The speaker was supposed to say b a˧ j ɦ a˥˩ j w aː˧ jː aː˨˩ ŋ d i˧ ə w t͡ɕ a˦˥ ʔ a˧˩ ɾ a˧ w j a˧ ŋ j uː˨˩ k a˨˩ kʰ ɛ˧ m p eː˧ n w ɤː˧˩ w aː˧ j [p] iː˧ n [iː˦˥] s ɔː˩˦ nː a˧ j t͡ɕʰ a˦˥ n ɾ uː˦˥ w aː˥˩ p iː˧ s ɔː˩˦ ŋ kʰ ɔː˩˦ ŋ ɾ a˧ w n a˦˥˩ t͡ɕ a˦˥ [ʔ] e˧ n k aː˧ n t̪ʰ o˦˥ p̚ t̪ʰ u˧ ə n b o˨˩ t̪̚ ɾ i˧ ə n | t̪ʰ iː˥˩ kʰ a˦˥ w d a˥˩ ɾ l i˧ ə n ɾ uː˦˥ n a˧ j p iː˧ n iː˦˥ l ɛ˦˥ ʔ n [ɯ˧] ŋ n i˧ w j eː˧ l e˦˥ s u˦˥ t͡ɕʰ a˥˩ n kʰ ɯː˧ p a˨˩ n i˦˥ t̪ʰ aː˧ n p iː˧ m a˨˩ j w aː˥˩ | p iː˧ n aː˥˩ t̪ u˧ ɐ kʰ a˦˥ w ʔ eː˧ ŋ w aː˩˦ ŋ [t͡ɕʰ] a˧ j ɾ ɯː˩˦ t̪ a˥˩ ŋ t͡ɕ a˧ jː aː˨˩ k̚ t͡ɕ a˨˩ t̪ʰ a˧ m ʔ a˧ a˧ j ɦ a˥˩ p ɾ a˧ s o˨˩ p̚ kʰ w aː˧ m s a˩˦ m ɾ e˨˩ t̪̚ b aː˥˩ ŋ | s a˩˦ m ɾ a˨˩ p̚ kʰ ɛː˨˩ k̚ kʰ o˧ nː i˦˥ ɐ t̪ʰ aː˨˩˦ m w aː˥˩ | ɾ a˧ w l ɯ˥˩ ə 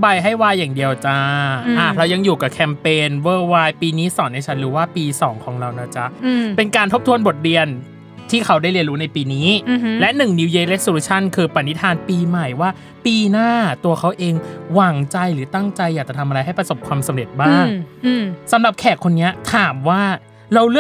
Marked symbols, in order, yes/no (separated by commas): yes, yes, no, no, no